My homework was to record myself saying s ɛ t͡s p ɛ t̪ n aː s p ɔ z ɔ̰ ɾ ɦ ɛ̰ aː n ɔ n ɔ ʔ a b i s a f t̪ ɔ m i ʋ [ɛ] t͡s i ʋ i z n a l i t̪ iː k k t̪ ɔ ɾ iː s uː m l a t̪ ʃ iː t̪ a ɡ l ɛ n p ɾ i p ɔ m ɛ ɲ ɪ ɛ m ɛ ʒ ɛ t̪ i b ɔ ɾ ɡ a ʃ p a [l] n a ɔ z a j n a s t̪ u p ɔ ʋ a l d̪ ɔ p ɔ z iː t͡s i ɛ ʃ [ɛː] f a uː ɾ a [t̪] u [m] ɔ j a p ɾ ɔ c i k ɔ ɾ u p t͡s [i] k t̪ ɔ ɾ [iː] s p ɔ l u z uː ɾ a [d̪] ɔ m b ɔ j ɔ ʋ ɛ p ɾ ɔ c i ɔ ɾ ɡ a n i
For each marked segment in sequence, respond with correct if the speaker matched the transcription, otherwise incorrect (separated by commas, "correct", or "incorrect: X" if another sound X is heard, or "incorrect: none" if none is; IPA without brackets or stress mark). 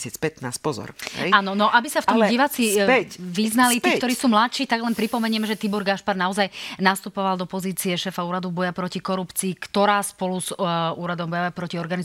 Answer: incorrect: a, incorrect: ɾ, correct, incorrect: d̪, incorrect: b, incorrect: iː, incorrect: aː, correct